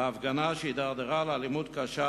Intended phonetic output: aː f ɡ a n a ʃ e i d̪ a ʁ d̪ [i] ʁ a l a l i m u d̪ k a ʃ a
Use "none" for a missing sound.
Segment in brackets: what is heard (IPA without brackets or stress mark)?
e